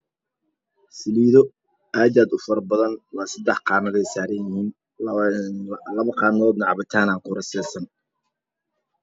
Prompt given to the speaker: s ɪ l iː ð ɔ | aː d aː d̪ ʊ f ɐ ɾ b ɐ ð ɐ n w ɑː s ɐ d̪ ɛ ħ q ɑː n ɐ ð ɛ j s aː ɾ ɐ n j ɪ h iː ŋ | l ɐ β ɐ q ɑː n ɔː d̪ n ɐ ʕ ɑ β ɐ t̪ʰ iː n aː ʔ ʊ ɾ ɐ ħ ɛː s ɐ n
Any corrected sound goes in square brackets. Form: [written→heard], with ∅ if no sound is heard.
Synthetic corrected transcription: s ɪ l iː ð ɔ | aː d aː d̪ ʊ f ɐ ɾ b ɐ ð ɐ n w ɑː s ɐ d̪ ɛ ħ q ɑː n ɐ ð ɛ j s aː ɾ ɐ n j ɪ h iː [ŋ→n] | l ɐ β ɐ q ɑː n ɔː d̪ n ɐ ʕ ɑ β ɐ t̪ʰ [iː→aː] n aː [ʔ→q] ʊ ɾ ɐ [ħ→s] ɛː s ɐ n